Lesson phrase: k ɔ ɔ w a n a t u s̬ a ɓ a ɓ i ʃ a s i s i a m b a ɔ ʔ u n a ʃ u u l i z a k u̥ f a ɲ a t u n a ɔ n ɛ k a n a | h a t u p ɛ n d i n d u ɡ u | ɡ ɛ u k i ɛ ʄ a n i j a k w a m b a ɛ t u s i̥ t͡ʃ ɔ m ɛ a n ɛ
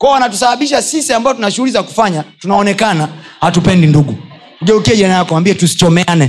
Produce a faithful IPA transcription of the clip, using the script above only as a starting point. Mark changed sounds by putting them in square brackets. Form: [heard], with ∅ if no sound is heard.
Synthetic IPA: k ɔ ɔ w a n a t u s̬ a ɓ a ɓ i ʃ a s i s i a m b a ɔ [t] u n a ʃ u u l i z a k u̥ f a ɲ a t u n a ɔ n ɛ k a n a | h a t u p ɛ n d i n d u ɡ u | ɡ ɛ u k i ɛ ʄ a n [a] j a k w a m b [i] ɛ t u s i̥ t͡ʃ ɔ m ɛ a n ɛ